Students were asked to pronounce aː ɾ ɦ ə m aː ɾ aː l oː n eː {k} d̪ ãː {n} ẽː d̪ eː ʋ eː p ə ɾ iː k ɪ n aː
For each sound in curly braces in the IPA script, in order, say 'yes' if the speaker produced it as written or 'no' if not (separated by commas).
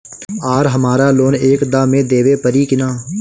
yes, no